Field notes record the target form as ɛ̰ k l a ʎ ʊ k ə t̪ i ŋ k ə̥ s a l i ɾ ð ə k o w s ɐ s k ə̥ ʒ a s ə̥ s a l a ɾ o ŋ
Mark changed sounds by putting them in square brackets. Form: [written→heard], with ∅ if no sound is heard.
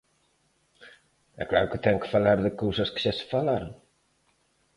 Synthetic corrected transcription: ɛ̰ k l a [ʎ→ɾ] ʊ k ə t̪ [i→ɛ] ŋ k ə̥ [s→f] a l [i→a] ɾ ð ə k o w s ɐ s k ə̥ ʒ a s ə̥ [s→f] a l a ɾ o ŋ